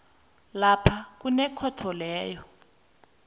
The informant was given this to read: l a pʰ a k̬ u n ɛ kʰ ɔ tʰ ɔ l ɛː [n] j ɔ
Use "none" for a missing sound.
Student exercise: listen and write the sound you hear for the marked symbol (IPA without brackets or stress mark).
none